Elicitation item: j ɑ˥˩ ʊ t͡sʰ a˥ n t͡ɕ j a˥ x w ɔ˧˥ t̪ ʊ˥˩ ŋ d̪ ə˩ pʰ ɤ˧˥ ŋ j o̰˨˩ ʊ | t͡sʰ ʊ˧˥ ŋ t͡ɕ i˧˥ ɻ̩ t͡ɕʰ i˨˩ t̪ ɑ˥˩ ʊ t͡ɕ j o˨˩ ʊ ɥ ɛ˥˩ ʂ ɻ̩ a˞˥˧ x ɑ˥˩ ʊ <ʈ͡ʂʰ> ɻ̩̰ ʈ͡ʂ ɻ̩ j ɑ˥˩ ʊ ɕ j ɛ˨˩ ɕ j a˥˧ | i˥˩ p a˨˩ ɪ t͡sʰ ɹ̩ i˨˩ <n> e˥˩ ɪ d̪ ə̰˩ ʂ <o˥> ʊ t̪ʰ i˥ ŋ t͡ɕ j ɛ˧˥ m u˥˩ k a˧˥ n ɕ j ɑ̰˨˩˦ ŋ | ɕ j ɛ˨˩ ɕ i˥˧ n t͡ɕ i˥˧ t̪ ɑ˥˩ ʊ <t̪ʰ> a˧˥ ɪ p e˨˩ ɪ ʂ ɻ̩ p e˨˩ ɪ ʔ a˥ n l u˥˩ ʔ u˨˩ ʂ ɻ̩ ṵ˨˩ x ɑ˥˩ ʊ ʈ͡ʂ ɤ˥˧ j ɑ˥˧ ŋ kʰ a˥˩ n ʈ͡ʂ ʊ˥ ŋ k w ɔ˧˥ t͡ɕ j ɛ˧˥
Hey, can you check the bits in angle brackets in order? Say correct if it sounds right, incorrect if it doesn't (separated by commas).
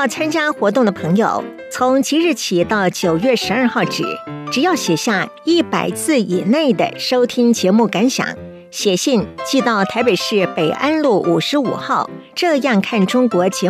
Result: incorrect, correct, correct, correct